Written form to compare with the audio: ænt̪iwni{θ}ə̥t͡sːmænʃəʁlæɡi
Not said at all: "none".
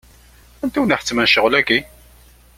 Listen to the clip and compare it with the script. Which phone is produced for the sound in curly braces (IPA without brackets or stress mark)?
ħ